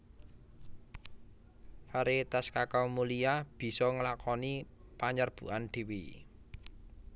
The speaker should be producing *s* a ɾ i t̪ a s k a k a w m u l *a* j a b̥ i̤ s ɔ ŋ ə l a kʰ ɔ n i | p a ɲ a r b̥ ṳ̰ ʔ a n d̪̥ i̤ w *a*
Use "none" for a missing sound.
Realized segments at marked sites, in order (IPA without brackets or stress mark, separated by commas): f, i, i